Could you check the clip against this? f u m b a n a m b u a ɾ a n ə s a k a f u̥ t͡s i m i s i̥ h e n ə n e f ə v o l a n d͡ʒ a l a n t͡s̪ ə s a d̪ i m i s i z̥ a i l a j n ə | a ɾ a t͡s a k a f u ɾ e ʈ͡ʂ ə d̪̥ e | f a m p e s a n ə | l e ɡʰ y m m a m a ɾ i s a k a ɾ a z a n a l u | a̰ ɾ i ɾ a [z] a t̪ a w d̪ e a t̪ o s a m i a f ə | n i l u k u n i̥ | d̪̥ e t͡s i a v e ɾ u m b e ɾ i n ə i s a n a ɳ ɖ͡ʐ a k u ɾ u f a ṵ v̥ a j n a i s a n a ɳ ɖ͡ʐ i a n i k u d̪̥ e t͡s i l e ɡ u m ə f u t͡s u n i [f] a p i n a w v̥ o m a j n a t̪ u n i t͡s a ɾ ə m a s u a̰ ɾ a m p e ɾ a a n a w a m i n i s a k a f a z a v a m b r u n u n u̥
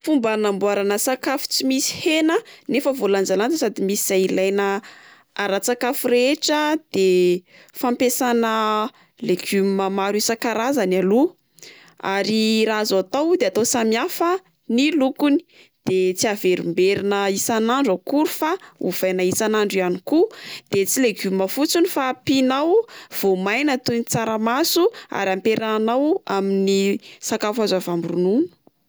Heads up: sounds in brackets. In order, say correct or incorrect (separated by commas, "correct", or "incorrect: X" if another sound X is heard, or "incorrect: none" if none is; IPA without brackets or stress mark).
correct, correct